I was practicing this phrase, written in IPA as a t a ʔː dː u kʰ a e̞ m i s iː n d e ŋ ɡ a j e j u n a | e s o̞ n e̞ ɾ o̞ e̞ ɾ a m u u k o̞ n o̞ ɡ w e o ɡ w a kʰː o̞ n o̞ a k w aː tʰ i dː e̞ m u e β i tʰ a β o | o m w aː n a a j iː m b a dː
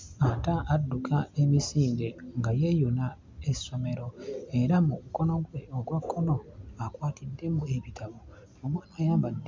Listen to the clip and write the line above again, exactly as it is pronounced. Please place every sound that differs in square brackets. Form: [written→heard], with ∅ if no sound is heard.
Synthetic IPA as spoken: a t a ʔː dː u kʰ a e̞ m i s iː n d e ŋ ɡ a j e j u n a | e s o̞ [n→m] e̞ ɾ o̞ e̞ ɾ a m u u k o̞ n o̞ ɡ w e o ɡ w a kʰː o̞ n o̞ a k w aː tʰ i dː e̞ m u e β i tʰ a β o | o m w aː n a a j [iː→aː] m b a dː